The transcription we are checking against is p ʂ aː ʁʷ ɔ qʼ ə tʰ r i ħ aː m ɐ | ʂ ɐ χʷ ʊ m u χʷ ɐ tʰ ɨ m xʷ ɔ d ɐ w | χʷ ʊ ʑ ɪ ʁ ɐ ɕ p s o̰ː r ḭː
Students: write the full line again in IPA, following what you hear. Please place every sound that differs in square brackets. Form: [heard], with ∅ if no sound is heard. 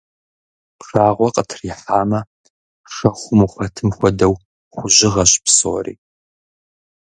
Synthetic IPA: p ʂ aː ʁʷ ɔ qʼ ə tʰ r i ħ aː m ɐ | ʂ ɐ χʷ ʊ m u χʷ ɐ tʰ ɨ m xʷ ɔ d ɐ w | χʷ ʊ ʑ ɪ ʁ ɐ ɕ p s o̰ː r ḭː